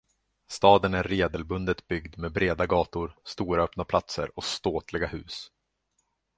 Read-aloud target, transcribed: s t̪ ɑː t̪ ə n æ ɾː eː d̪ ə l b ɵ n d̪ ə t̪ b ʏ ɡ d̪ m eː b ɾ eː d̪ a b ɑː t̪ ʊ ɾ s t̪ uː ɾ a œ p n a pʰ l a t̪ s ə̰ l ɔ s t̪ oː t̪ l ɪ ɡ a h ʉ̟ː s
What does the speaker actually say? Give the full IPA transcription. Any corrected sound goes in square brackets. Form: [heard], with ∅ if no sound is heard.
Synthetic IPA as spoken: s t̪ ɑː [d̪] ə n æ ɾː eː d̪ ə l b ɵ n d̪ ə t̪ b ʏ ɡ d̪ m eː b ɾ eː d̪ a [ɡ] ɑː t̪ ʊ ɾ s t̪ uː ɾ a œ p n a pʰ l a t̪ s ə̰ [ɾ] ɔ s t̪ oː t̪ l ɪ ɡ a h ʉ̟ː s